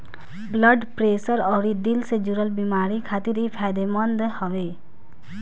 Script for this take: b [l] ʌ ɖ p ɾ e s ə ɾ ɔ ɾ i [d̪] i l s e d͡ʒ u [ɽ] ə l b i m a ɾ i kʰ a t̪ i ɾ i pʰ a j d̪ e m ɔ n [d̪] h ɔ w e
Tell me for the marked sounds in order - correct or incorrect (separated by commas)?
correct, correct, incorrect, correct